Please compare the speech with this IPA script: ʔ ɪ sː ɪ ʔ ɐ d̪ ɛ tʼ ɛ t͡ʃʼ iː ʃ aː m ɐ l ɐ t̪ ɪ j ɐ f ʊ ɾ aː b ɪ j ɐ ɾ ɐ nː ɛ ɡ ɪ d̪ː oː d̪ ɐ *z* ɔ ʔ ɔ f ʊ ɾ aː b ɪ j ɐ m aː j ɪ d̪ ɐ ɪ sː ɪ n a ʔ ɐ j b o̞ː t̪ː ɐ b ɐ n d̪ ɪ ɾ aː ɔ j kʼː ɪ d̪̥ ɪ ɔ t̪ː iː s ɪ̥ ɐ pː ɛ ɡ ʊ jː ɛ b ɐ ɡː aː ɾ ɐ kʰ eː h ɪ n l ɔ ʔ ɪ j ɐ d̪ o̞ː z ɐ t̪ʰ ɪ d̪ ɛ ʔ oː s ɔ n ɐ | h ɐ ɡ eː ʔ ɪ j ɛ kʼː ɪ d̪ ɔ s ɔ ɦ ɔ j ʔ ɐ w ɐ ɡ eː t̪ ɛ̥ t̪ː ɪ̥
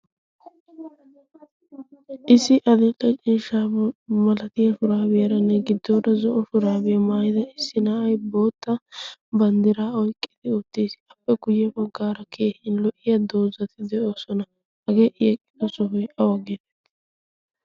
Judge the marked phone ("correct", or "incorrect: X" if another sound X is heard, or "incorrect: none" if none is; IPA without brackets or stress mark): correct